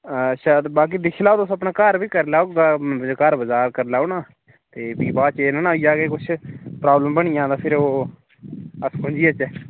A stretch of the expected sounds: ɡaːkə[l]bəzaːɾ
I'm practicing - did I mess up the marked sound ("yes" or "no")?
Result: yes